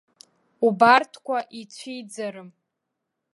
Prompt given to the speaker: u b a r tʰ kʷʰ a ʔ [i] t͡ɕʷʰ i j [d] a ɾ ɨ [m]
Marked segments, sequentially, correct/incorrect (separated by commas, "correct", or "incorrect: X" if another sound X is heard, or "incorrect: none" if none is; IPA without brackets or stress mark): correct, incorrect: d͡z, correct